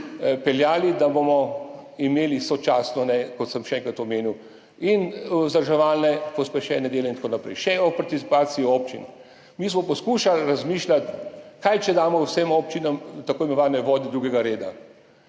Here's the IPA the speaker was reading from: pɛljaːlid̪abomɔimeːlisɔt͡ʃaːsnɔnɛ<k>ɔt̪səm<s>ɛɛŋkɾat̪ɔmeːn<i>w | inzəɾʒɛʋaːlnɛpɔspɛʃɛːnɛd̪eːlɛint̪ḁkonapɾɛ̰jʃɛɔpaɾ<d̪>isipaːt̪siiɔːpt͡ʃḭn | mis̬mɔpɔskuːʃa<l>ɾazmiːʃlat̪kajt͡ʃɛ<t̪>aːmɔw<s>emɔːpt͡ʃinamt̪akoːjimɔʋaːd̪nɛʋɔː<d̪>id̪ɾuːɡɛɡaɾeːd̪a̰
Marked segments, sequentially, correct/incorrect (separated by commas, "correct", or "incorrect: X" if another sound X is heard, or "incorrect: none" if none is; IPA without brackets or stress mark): correct, incorrect: ʃ, correct, incorrect: t̪, correct, incorrect: d̪, correct, correct